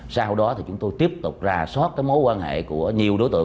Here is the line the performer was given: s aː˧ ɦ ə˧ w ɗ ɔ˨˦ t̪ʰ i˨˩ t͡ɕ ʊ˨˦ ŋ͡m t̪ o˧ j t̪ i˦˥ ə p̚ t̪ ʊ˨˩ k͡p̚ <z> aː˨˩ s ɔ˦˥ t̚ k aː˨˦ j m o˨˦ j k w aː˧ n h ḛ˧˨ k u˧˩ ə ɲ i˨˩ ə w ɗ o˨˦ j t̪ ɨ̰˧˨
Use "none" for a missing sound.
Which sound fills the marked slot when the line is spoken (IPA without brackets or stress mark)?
z